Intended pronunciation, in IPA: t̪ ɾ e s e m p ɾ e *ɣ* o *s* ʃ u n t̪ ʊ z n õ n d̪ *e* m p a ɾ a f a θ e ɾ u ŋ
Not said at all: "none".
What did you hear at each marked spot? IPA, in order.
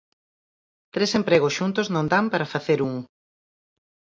ɣ, s, a

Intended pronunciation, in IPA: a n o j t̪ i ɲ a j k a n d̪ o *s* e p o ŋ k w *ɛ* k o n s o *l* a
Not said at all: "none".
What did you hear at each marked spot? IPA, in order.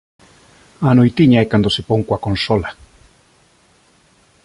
s, a, l

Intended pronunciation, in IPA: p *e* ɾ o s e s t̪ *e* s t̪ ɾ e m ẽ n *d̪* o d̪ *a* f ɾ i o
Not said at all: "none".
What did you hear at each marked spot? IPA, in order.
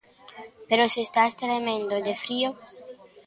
e, a, d̪, e

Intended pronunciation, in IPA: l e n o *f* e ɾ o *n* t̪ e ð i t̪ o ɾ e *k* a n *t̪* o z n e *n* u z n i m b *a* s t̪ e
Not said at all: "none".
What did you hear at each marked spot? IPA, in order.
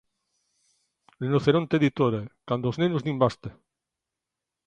θ, n, k, d̪, n, a

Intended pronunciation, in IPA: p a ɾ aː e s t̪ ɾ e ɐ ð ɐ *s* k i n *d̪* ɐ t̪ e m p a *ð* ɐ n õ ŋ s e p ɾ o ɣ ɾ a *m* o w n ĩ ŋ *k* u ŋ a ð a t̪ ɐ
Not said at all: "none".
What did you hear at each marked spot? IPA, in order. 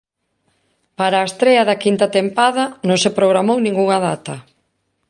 none, t̪, ð, m, ɡ

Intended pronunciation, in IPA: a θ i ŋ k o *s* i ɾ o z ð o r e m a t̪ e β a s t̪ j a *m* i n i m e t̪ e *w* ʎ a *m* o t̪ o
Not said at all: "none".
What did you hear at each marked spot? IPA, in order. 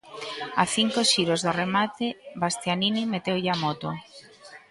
ʃ, n, w, m

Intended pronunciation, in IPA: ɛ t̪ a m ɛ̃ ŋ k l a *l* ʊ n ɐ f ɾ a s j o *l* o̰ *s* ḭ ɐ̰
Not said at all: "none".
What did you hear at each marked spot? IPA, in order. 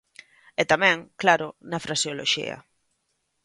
ɾ, l, ʃ

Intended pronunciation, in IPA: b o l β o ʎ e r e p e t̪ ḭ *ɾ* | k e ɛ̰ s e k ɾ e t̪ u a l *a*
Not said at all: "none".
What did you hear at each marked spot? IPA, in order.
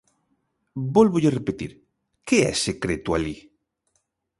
ɾ, i

